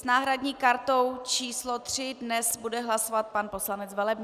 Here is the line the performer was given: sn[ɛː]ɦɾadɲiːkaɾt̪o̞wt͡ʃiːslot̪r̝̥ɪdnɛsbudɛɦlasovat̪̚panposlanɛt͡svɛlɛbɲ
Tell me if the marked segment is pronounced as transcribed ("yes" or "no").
no